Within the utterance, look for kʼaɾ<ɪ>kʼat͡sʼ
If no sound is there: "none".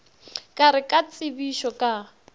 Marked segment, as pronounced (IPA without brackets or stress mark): ɪ